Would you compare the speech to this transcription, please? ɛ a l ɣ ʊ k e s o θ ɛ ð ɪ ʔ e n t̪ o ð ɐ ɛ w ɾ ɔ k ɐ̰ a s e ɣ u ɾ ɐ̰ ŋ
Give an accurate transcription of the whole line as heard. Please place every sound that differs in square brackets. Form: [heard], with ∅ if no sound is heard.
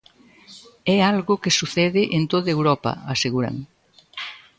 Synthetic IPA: ɛ a l ɣ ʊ k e s [u] θ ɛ ð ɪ ʔ e n t̪ o ð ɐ [e] w ɾ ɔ [p] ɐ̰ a s e ɣ u ɾ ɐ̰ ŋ